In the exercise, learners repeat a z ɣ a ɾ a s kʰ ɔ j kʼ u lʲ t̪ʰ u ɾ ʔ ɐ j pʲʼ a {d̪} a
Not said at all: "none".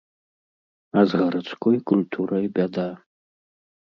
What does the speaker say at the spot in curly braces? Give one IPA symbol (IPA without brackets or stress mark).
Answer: d̪